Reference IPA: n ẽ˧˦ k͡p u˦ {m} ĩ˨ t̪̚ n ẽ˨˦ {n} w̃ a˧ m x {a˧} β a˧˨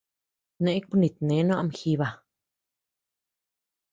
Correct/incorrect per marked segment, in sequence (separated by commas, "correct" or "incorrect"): incorrect, correct, incorrect